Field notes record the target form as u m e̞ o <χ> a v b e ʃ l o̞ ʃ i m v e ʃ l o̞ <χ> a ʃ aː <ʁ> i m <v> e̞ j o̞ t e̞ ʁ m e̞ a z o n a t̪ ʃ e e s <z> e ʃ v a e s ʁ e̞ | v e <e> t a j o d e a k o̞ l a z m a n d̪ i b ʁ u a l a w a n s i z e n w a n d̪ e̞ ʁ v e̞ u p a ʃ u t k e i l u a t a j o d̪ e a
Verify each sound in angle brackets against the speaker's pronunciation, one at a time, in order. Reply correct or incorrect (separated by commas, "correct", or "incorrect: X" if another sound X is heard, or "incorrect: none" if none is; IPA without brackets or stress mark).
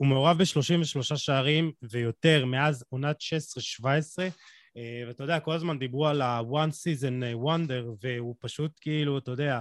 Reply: incorrect: ʁ, incorrect: ʃ, correct, correct, incorrect: ʁ, incorrect: a